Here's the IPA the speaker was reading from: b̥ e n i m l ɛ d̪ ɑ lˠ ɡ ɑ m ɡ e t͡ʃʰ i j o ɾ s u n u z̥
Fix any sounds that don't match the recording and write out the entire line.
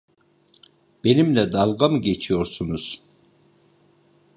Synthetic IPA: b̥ e n i m l ɛ d̪ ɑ lˠ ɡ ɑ m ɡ e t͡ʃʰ i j o ɾ s u n u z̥